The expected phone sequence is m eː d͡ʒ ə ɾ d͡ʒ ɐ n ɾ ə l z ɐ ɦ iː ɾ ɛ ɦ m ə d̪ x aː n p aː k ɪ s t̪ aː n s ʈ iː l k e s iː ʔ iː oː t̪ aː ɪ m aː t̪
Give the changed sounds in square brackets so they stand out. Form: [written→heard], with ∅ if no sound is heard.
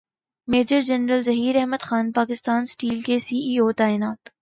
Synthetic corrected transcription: m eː d͡ʒ ə ɾ d͡ʒ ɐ n ɾ ə l z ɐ ɦ iː ɾ ɛ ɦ m ə d̪ x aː n p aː k ɪ s t̪ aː n s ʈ iː l k e s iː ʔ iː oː t̪ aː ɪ [m→n] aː t̪